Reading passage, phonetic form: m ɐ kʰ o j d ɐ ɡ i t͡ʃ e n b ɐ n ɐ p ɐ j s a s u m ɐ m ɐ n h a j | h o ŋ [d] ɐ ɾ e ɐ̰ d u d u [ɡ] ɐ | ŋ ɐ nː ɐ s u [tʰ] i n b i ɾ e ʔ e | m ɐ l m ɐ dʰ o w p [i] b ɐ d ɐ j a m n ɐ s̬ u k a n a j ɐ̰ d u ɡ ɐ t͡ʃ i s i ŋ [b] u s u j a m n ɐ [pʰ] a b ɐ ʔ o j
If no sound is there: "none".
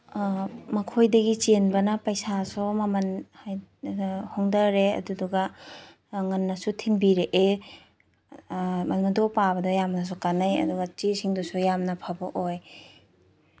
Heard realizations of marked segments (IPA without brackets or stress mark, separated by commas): d, ɡ, tʰ, a, d, pʰ